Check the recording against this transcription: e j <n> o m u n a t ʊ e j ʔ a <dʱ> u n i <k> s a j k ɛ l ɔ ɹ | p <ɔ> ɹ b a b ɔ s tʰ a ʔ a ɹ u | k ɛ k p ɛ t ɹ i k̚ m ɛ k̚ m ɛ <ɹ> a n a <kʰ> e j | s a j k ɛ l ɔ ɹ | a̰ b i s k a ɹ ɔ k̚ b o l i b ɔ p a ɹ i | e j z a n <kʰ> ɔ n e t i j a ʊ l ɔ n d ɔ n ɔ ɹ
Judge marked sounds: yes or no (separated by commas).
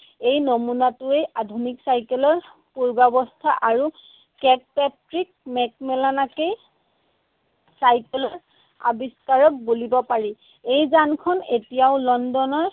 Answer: yes, yes, yes, no, no, no, yes